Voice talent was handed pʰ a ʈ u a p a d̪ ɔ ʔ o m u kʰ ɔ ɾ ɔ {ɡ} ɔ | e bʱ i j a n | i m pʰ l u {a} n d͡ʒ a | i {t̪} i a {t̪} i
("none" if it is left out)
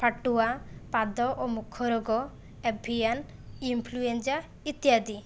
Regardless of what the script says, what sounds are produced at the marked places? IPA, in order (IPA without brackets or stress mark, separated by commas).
ɡ, e, t̪, d̪